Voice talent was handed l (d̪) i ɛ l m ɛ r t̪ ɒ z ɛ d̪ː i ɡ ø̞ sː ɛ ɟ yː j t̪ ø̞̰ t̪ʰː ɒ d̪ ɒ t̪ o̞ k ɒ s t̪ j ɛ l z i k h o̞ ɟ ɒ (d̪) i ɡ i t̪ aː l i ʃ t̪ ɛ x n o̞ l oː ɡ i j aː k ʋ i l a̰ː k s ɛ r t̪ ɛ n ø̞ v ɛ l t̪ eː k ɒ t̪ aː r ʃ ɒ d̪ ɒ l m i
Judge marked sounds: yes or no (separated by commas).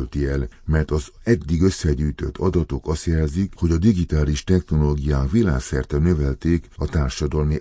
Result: no, yes